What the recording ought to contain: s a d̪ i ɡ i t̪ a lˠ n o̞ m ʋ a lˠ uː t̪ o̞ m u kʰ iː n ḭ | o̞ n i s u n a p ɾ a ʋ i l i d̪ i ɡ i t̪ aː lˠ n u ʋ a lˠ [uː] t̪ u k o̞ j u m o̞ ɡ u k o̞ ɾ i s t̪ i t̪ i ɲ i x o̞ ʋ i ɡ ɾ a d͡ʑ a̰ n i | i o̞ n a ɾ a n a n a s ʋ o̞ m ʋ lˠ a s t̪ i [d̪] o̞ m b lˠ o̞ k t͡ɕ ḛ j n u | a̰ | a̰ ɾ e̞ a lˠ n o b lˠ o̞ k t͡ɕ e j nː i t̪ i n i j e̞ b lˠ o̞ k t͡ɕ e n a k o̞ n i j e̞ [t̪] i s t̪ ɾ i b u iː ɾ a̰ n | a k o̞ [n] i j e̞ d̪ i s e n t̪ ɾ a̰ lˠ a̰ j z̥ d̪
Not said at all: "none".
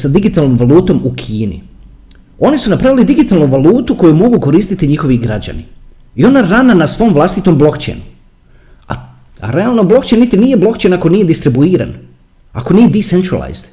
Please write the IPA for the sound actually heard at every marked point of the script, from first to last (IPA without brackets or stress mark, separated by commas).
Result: uː, t̪, d̪, n